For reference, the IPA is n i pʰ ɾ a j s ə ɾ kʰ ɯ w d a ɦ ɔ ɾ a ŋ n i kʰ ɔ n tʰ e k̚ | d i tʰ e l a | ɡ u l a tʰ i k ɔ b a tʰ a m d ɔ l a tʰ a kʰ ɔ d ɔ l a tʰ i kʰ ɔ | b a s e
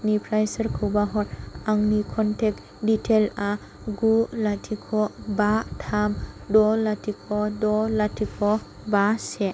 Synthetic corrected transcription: n i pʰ ɾ a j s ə ɾ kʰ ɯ w b a ɦ ɔ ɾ a ŋ n i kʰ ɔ n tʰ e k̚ | d i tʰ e l a | ɡ u l a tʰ i kʰ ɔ b a tʰ a m d ɔ l a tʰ i kʰ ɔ d ɔ l a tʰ i kʰ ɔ | b a s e